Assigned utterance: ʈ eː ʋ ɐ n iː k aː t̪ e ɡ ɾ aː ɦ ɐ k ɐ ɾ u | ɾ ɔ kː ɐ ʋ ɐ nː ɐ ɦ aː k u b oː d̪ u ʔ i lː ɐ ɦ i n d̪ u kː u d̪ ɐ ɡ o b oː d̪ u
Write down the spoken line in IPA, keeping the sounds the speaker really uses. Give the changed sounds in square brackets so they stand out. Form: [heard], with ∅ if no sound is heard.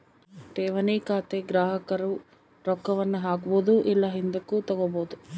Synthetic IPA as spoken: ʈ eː ʋ ɐ n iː k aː t̪ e ɡ ɾ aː ɦ ɐ k ɐ ɾ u | ɾ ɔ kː ɐ ʋ ɐ nː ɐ ɦ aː k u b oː d̪ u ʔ i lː ɐ ɦ i n d̪ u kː u [t̪] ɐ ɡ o b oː d̪ u